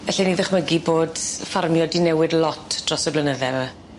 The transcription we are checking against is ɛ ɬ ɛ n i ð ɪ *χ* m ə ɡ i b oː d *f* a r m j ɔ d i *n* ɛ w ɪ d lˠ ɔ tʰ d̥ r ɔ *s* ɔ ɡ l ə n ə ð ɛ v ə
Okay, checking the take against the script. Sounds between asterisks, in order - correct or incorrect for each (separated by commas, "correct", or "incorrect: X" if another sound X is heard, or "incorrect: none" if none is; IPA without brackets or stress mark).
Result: correct, correct, correct, correct